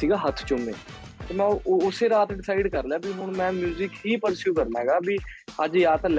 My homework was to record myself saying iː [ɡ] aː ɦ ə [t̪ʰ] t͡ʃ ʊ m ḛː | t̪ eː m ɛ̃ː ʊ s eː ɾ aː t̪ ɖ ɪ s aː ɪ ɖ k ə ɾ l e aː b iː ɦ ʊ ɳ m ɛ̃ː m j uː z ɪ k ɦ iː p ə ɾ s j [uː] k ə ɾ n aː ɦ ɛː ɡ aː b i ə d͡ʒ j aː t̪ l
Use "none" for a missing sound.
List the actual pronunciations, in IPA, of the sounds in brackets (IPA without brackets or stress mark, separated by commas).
ɡ, t̪ʰ, uː